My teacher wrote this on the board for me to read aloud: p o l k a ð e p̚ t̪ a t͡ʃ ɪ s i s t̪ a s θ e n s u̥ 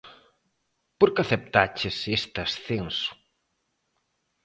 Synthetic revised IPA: p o ɾ k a θ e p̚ t̪ a t͡ʃ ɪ s e s t̪ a s θ e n s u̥